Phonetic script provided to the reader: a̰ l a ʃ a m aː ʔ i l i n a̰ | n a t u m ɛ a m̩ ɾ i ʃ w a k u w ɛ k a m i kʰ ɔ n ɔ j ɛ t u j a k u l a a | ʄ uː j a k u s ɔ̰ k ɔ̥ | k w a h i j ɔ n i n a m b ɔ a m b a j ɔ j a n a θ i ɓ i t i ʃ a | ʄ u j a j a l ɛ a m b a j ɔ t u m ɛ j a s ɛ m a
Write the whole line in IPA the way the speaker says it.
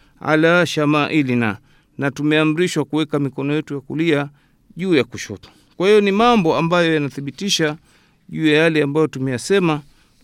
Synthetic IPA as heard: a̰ l a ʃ a m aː ʔ i l i n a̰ | n a t u m ɛ a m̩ ɾ i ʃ w a k u w ɛ k a m i k ɔ n ɔ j ɛ t u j a k u l i a | ʄ uː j a k u ʃ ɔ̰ t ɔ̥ | k w a h i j ɔ n i m a m b ɔ a m b a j ɔ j a n a θ i ɓ i t i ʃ a | ʄ uː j a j a l ɛ a m b a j ɔ t u m ɛ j a s ɛ m a